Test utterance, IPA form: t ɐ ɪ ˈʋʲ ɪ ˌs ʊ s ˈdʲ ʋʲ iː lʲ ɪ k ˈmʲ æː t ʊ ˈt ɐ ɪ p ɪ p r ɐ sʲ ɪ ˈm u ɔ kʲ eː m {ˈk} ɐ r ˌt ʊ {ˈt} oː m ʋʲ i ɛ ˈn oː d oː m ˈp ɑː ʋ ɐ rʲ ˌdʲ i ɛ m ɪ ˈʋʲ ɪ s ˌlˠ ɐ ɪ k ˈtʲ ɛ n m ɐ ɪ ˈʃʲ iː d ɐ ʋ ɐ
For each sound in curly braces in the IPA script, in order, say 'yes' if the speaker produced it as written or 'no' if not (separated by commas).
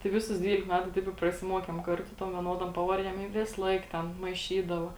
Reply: yes, yes